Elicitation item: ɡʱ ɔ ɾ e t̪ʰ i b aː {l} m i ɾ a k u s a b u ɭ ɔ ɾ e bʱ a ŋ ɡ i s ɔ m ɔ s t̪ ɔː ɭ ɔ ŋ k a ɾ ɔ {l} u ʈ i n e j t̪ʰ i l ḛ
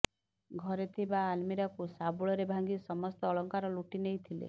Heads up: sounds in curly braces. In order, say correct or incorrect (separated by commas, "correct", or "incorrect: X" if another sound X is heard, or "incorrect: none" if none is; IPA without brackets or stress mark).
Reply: correct, correct